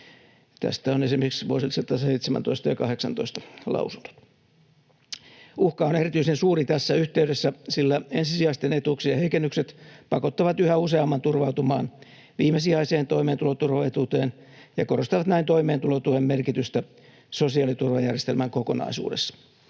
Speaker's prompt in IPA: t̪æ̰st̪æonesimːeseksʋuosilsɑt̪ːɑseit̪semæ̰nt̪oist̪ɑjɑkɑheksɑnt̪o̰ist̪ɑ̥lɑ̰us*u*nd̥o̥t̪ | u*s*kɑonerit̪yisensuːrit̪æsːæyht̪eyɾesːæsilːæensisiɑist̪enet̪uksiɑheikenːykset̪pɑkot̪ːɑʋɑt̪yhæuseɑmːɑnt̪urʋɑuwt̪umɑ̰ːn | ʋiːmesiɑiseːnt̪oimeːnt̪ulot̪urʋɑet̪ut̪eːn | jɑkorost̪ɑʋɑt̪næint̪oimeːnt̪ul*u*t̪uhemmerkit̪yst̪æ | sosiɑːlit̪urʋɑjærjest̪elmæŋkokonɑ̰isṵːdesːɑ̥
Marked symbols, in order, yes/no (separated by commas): yes, no, no